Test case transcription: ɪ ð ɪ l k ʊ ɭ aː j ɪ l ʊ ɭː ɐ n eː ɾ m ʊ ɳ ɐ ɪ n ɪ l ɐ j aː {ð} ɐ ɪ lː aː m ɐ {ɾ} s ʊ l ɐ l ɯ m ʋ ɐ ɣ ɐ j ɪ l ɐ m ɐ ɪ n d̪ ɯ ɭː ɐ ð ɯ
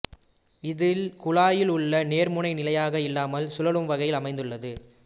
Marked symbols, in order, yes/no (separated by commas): no, no